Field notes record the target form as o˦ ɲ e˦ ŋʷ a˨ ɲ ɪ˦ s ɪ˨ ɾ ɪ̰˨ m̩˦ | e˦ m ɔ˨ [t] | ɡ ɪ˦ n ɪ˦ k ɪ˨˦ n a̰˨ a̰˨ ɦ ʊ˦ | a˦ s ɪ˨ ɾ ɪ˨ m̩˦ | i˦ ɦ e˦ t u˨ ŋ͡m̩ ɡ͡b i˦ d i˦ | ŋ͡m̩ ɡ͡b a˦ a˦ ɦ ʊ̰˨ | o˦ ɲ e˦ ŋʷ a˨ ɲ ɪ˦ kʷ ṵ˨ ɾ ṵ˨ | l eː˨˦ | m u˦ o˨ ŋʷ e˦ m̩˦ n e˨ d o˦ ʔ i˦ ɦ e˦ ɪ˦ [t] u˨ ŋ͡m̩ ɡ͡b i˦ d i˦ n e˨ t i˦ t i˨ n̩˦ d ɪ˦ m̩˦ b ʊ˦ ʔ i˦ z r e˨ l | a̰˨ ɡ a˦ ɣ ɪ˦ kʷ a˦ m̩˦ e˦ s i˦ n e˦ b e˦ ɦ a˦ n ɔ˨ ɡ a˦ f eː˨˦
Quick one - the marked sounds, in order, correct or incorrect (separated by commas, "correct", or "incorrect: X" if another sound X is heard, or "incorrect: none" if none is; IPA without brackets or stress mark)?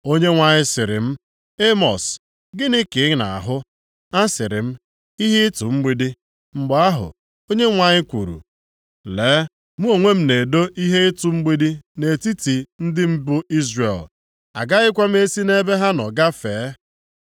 incorrect: s, correct